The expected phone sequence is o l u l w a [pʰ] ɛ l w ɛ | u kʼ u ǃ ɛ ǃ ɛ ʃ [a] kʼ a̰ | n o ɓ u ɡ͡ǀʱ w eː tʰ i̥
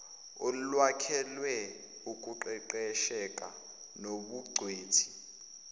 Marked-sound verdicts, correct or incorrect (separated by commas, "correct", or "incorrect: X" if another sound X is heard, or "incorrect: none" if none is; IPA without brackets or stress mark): incorrect: kʰ, incorrect: ɛ